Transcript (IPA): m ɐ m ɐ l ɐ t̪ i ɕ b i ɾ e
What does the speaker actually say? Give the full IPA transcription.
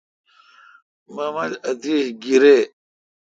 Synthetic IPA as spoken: m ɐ m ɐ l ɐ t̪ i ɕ ɡ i ɾ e